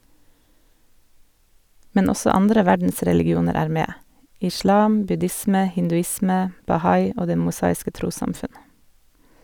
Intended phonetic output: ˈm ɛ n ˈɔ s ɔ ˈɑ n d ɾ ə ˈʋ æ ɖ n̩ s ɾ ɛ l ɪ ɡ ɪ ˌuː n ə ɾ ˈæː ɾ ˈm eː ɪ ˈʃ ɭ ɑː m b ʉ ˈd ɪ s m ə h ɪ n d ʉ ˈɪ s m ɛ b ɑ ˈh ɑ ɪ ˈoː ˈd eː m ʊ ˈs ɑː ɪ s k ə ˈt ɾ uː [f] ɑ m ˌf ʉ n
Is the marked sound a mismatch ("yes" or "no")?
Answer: yes